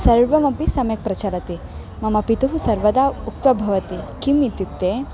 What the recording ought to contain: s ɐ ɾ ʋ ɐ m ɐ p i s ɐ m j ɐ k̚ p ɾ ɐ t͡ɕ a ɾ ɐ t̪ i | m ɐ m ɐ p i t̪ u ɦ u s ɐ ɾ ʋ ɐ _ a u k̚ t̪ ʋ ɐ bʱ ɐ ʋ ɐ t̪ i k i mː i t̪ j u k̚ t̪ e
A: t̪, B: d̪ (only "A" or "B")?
B